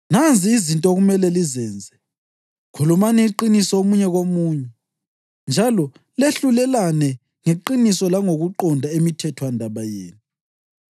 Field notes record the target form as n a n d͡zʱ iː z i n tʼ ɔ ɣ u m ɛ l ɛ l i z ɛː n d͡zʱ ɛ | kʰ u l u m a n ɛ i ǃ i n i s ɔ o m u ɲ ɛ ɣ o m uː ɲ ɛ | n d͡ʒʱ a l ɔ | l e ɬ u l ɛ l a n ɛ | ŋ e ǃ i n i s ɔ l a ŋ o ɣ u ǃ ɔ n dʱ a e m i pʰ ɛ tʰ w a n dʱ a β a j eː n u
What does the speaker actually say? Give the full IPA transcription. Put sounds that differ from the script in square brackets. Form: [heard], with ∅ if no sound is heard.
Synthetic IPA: n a n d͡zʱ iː z i n tʼ ɔ ɣ u m ɛ l ɛ l i z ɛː n d͡zʱ ɛ | kʰ u l u m a n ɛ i ǃ i n i s ɔ o m u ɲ ɛ ɣ o m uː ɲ ɛ | n d͡ʒʱ a l ɔ | l e ɬ u l ɛ l a n ɛ | ŋ e ǃ i n i s ɔ l a ŋ o ɣ u ǃ ɔ n dʱ a e m i [tʰ] ɛ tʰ w a n dʱ a β a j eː n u